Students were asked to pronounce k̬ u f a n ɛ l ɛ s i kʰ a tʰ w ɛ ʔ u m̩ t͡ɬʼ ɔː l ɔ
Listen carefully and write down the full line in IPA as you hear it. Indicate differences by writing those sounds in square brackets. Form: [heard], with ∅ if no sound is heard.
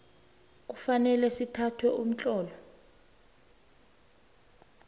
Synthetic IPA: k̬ u f a n ɛ l ɛ s i [tʰ] a tʰ w ɛ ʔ u m̩ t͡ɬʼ ɔː l ɔ